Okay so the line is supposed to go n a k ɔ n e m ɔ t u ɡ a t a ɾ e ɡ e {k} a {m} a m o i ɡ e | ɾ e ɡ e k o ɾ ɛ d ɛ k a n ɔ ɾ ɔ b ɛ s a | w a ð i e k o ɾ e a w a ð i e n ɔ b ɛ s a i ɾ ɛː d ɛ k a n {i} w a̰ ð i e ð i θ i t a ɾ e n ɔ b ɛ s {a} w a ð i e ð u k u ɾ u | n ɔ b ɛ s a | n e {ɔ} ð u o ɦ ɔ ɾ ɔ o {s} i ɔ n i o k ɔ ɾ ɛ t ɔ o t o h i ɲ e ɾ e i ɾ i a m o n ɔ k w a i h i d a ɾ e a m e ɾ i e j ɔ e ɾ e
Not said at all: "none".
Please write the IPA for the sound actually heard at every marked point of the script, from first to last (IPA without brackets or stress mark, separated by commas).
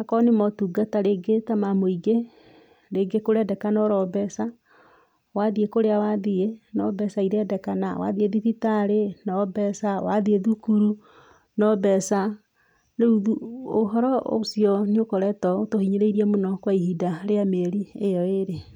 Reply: t, m, a, a, u, s